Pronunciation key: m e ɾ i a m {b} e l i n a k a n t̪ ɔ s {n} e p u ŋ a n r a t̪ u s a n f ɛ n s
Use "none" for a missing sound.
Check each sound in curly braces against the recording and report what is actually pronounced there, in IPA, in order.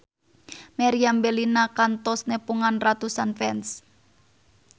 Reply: b, n

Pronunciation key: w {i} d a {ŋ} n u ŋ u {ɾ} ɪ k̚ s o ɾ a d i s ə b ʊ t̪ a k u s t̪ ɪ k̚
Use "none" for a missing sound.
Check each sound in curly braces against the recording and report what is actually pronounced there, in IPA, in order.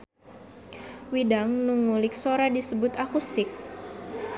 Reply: i, ŋ, l

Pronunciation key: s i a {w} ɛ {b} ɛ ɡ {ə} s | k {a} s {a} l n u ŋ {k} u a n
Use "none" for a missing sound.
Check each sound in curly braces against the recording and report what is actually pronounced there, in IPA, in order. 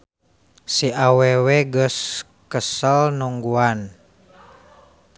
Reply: w, w, ə, ə, ə, ɡ

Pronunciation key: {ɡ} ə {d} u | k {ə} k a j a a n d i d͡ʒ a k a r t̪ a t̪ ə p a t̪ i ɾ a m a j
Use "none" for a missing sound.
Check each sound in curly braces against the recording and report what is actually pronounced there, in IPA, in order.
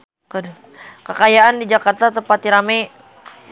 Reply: k, d, ə

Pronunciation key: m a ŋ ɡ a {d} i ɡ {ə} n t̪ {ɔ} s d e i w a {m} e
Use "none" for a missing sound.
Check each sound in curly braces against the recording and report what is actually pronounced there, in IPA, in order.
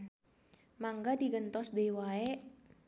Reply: d, ə, ɔ, none

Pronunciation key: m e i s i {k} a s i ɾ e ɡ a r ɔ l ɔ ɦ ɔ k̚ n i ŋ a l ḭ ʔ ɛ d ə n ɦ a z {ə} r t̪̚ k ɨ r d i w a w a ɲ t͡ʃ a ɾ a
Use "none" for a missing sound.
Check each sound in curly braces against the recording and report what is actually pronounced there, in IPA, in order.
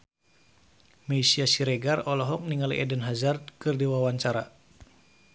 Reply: none, a

